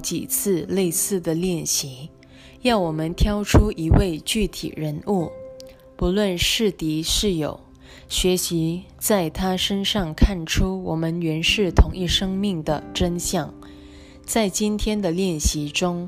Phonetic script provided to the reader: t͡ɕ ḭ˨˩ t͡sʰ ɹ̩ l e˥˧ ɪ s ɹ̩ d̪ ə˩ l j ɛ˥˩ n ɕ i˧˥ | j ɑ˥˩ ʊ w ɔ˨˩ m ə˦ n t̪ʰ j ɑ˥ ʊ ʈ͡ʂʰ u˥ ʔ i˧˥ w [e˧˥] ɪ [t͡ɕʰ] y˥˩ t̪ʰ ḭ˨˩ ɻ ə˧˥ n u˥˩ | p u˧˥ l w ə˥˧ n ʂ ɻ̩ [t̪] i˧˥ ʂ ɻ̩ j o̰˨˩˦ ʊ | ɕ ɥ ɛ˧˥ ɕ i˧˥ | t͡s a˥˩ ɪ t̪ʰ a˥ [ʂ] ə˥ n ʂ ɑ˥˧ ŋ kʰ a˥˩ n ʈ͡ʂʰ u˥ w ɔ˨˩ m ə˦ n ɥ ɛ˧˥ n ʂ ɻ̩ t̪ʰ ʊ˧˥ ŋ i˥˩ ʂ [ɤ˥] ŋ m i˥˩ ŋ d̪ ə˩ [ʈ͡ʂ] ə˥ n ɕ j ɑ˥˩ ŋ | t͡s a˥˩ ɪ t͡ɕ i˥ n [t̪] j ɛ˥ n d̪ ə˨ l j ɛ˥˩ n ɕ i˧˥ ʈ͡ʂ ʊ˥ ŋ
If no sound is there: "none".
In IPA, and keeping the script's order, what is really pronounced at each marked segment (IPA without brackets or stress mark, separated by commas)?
e˥˧, t͡ɕ, t̪, ʂ, ɤ˥, ʈ͡ʂ, t̪ʰ